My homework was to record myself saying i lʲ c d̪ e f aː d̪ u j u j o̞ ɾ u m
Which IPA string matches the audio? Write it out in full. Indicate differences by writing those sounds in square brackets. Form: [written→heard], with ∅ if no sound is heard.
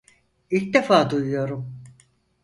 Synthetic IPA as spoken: i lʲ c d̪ e f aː d̪ u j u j o̞ ɾ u m